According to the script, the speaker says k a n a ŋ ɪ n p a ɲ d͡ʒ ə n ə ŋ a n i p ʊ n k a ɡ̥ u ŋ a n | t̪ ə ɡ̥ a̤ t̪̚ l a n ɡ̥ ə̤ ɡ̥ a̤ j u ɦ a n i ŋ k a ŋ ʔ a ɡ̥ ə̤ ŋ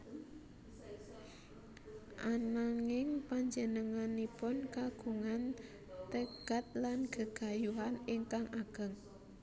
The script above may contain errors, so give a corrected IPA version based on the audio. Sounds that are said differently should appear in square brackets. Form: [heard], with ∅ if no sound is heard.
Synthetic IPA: [ʔ] a n a ŋ ɪ [ŋ] p a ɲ d͡ʒ ə n ə ŋ a n i p ʊ n k a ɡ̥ u ŋ a n | t̪ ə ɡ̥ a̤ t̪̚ l a n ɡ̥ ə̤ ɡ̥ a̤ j u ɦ a n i ŋ k a ŋ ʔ a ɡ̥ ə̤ ŋ